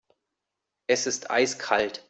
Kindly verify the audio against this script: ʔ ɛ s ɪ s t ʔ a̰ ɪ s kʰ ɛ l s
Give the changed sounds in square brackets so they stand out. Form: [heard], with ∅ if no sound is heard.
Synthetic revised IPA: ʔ ɛ s ɪ s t ʔ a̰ ɪ s kʰ [a] l [t]